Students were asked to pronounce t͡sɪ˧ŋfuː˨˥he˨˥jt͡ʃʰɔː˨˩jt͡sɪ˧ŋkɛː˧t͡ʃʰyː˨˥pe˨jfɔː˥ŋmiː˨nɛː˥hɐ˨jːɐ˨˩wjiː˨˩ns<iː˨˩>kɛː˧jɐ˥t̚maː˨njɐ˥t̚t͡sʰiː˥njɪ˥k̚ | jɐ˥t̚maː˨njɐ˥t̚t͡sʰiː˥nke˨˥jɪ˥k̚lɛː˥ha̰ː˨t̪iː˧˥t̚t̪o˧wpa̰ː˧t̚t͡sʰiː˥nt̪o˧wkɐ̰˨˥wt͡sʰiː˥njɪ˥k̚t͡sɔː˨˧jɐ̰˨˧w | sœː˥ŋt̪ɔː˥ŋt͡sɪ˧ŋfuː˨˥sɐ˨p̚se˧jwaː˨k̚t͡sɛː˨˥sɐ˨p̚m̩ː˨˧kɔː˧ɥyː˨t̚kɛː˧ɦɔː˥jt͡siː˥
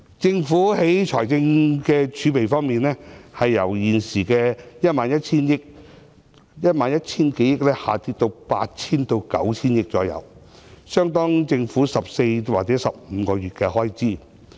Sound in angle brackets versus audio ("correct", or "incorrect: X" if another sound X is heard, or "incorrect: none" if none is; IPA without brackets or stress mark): correct